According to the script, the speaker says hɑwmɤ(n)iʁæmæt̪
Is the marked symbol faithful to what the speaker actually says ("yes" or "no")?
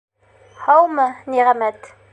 yes